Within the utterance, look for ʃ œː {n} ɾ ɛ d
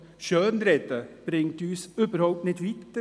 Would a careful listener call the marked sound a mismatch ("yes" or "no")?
no